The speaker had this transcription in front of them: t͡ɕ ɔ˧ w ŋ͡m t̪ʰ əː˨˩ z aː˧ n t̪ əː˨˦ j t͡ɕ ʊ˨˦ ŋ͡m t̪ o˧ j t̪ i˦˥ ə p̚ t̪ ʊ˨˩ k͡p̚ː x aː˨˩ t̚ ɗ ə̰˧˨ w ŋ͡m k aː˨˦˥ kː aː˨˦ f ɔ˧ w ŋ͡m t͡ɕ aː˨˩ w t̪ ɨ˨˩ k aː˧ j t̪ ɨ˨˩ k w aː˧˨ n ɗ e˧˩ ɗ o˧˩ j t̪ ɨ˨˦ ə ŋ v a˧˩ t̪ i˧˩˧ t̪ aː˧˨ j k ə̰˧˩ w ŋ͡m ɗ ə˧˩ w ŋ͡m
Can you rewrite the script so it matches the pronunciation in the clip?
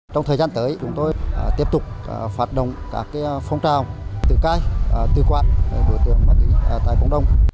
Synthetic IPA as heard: t͡ɕ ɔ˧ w ŋ͡m t̪ʰ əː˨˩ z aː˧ n t̪ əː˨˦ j t͡ɕ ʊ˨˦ ŋ͡m t̪ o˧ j t̪ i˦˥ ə p̚ t̪ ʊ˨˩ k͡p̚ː f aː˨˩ t̚ ɗ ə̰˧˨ w ŋ͡m k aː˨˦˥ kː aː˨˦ f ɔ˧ w ŋ͡m t͡ɕ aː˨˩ w t̪ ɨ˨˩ k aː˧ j t̪ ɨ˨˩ k w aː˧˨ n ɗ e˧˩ ɗ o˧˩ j t̪ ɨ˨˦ ə ŋ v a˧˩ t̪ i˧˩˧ t̪ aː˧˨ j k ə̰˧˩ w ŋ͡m ɗ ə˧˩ w ŋ͡m